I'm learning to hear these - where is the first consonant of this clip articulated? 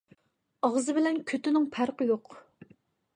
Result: uvula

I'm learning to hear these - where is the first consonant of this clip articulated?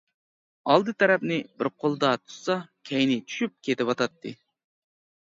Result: tongue tip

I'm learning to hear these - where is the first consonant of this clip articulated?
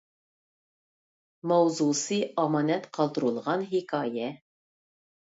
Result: lips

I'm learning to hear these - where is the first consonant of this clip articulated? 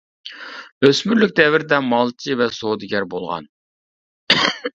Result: tongue tip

